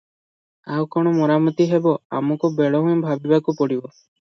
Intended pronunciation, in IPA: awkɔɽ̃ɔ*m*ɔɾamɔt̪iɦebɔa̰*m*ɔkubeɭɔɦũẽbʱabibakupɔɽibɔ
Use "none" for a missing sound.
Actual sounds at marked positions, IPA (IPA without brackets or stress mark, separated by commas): m, m